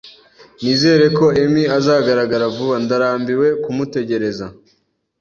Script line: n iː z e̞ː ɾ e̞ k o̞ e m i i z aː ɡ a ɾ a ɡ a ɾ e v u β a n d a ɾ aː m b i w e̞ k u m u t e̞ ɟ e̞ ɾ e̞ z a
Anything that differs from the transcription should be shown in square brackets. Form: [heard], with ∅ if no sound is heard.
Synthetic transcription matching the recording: n iː z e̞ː ɾ e̞ k o̞ e m i [a] z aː ɡ a ɾ a ɡ a ɾ [a] v u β a n d a ɾ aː m b i w e̞ k u m u t e̞ ɟ e̞ ɾ e̞ z a